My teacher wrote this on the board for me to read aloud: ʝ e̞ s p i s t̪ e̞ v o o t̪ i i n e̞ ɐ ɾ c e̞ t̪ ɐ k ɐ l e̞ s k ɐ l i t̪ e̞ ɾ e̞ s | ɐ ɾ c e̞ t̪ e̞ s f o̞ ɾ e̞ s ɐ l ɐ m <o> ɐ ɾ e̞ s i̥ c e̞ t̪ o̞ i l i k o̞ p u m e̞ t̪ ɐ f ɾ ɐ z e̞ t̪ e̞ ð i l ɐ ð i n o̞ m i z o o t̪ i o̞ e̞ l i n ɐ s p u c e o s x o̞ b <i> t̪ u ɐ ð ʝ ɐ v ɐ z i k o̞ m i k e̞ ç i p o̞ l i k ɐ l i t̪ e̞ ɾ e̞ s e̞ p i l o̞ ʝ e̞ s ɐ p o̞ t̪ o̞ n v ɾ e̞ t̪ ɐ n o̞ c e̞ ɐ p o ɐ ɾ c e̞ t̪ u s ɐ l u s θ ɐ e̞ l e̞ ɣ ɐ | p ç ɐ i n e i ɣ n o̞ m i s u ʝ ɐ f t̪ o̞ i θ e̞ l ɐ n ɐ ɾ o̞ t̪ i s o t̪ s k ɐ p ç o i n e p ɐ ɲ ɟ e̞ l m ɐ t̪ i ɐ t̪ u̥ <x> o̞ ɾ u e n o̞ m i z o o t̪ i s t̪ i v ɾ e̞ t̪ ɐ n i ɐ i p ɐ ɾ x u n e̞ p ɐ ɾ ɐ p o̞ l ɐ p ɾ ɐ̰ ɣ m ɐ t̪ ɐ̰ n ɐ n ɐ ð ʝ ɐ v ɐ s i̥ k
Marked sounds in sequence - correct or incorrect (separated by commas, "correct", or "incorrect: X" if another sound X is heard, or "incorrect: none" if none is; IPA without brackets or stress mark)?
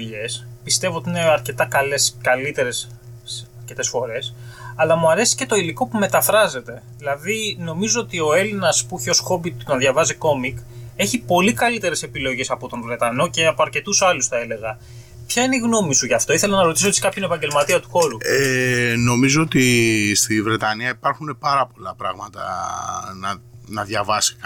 incorrect: u, correct, correct